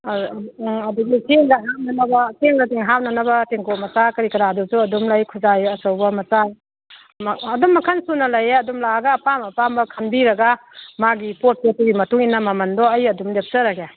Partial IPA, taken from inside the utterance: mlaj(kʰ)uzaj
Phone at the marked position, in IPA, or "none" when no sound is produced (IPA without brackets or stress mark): kʰ